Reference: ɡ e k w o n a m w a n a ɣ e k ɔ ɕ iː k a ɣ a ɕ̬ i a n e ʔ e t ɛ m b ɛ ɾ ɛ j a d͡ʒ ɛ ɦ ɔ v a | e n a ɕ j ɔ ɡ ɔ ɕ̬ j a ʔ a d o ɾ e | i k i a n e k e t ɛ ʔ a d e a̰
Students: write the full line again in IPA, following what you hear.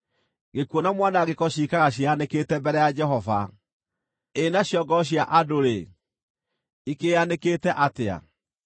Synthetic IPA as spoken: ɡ e k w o n a m w a n a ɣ e k ɔ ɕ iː k a ɣ a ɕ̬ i a n e k e t ɛ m b ɛ ɾ ɛ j a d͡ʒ ɛ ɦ ɔ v a | e n a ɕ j ɔ ɡ ɔ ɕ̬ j a ʔ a d o ɾ e | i k e a n e k e t ɛ ʔ a t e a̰